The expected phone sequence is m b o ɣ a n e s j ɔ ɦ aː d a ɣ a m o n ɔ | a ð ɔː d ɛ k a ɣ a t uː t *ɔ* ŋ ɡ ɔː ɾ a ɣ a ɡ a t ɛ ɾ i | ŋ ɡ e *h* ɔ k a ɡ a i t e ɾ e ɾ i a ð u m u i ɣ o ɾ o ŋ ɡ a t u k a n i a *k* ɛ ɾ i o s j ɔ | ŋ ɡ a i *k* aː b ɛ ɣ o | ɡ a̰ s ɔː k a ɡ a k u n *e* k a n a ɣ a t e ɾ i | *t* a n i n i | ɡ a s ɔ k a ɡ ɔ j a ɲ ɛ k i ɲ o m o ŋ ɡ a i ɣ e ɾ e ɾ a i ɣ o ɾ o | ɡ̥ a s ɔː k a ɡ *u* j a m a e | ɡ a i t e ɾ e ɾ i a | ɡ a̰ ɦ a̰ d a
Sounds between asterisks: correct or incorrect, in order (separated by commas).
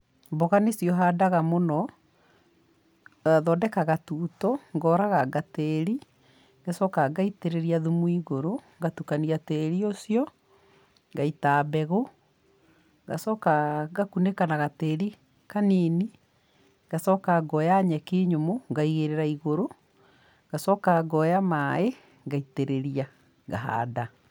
correct, incorrect, incorrect, incorrect, correct, incorrect, incorrect